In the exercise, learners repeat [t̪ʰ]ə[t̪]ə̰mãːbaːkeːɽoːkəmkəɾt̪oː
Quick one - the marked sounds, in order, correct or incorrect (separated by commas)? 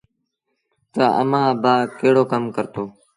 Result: incorrect, incorrect